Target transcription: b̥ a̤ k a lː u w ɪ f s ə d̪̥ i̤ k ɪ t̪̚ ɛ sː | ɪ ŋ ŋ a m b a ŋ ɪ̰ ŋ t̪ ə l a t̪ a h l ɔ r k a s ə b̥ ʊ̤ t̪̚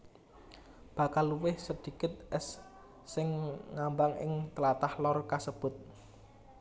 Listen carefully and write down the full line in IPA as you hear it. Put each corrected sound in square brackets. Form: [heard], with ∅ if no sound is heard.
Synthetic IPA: b̥ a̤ k a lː u w ɪ [h] s ə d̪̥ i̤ k ɪ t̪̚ ɛ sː | ɪ ŋ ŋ a m b a ŋ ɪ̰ ŋ t̪ ə l a t̪ a h l ɔ r k a s ə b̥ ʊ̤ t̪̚

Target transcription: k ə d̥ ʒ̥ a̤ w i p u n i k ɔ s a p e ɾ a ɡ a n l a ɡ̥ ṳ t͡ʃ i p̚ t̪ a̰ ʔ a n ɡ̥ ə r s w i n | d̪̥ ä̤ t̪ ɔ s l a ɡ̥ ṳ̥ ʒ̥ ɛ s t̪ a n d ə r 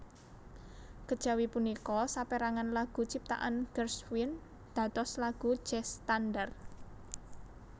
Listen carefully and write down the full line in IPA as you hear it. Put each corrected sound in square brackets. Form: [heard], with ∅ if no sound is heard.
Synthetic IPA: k ə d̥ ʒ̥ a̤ w i p u n i k ɔ s a p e ɾ a [ŋ] a n l a ɡ̥ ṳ t͡ʃ i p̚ t̪ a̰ ʔ a n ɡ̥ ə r s w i n | d̪̥ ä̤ t̪ ɔ s l a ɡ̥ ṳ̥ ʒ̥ ɛ s t̪ a n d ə r

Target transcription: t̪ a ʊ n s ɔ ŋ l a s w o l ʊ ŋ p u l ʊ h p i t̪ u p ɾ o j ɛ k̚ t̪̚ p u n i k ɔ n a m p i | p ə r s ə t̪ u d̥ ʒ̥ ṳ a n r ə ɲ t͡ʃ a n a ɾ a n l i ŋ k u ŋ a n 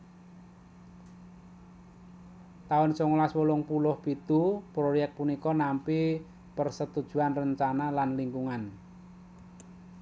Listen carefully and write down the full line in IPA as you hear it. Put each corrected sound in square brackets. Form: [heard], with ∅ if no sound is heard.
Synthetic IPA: t̪ a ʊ n s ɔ ŋ l a s w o l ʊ ŋ p u l ʊ h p i t̪ u p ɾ o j ɛ k̚ t̪̚ p u n i k ɔ n a m p i | p ə r s ə t̪ u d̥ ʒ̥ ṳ a n r ə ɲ t͡ʃ a n a [l] a n l i ŋ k u ŋ a n

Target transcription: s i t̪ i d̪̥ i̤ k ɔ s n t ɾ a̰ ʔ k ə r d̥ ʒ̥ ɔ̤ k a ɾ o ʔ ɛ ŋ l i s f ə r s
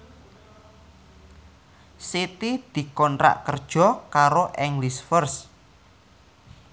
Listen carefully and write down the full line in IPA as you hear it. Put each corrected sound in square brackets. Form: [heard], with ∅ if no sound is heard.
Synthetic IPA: s i t̪ i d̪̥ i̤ k ɔ [∅] n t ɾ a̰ ʔ k ə r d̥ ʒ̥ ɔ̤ k a ɾ o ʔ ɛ ŋ l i s f ə r s

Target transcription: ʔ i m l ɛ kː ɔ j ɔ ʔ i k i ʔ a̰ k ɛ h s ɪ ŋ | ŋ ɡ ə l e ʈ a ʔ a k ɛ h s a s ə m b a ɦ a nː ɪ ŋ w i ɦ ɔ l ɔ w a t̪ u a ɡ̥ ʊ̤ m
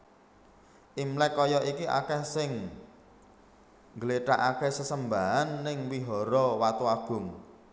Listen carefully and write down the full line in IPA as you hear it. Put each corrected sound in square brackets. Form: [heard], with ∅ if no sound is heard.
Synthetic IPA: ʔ i m l ɛ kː ɔ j ɔ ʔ i k i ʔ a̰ k ɛ h s ɪ ŋ | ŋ ɡ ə l e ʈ a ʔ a k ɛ h s [ə] s ə m b a ɦ a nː ɪ ŋ w i ɦ ɔ [ɾ] ɔ w a t̪ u a ɡ̥ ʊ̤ [ŋ]

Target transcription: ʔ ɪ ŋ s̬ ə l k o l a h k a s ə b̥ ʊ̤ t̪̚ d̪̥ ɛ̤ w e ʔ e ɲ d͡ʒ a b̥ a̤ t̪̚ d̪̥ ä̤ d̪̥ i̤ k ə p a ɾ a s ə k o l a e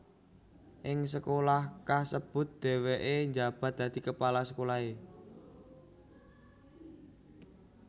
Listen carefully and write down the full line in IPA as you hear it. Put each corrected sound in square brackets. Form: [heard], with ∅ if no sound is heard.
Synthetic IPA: ʔ ɪ ŋ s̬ ə [∅] k o l a h k a s ə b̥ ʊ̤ t̪̚ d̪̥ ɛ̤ w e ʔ e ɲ d͡ʒ a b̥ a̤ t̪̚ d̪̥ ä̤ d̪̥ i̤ k ə p a [l] a s ə k o l a e

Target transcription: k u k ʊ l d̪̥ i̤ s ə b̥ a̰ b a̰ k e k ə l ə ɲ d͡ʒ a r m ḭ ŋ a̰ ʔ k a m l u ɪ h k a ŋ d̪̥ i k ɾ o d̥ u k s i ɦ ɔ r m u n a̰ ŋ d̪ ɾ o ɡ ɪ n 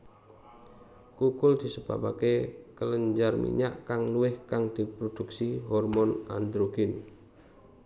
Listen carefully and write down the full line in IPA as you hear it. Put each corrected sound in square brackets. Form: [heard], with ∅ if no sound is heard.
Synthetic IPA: k u k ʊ l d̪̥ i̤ s ə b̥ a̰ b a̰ k e k ə l ə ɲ d͡ʒ a r m ḭ [ɲ] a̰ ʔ k a [ŋ] l u ɪ h k a ŋ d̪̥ i [p] ɾ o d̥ u k s i ɦ ɔ r m [ɔ] n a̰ [n] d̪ ɾ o ɡ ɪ n

